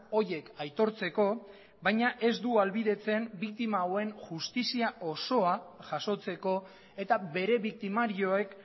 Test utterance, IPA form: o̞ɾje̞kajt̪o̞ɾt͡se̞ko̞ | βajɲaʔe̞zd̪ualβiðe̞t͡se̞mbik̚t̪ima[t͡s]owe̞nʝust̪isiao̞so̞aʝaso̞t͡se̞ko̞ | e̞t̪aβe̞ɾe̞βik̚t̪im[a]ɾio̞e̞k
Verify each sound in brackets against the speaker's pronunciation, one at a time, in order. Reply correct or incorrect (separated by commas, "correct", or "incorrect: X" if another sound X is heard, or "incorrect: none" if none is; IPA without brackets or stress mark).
incorrect: none, correct